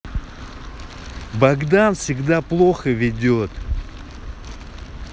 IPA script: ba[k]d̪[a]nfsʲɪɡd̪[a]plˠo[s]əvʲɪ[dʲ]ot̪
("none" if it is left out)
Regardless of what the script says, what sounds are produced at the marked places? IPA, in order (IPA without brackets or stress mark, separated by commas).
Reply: ɡ, a, a, x, dʲ